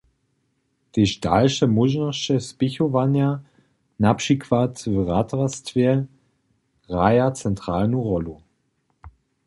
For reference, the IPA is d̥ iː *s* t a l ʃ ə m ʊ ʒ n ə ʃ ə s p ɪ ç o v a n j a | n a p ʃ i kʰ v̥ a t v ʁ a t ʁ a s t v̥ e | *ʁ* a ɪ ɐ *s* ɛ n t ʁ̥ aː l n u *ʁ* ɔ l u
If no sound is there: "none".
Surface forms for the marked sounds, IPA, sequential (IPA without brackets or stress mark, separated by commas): ʃ, ʁ, t͡s, ʁ